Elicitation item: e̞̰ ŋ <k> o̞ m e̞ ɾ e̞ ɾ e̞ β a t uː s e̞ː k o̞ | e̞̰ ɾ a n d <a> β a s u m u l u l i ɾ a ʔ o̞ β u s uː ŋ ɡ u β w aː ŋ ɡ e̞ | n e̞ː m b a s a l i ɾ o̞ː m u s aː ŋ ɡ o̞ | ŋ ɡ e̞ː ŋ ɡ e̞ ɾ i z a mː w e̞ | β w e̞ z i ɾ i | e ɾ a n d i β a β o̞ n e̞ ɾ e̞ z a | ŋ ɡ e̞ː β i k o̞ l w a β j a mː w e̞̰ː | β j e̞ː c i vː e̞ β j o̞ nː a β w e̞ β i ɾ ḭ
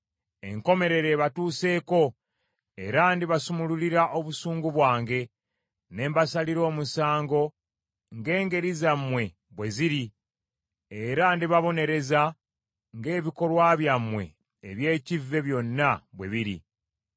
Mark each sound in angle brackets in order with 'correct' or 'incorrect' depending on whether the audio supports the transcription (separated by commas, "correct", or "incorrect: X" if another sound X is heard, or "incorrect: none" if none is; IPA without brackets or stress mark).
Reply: correct, incorrect: i